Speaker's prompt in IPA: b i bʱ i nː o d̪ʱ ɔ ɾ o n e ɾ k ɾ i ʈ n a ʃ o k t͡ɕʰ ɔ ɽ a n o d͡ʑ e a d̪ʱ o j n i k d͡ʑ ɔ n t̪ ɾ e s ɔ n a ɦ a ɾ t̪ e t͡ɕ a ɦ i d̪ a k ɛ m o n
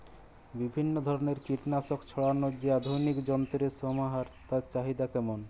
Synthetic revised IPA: b i bʱ i nː o d̪ʱ ɔ ɾ o n e ɾ k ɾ i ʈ n a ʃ o k t͡ɕʰ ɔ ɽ a n o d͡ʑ e a d̪ʱ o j n i k d͡ʑ ɔ n t̪ ɾ e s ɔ m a ɦ a ɾ t̪ a t͡ɕ a ɦ i d̪ a k ɛ m o n